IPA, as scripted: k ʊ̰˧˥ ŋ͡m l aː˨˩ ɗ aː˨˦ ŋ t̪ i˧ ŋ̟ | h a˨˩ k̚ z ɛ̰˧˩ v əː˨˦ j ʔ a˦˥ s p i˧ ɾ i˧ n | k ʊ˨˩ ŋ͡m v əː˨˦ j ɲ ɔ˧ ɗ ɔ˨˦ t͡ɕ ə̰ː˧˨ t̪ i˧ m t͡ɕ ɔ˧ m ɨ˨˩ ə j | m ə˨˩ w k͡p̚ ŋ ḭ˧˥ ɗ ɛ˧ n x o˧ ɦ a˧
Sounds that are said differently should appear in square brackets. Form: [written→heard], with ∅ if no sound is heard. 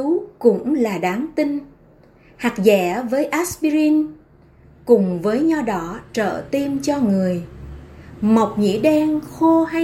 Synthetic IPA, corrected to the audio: k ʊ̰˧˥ ŋ͡m l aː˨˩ ɗ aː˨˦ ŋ t̪ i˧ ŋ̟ | h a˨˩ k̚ z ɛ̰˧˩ v əː˨˦ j ʔ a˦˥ s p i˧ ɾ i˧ n | k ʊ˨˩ ŋ͡m v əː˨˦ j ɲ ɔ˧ ɗ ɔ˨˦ t͡ɕ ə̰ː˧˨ t̪ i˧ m t͡ɕ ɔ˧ [m→ŋ] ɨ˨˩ ə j | m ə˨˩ w k͡p̚ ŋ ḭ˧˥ ɗ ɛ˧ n x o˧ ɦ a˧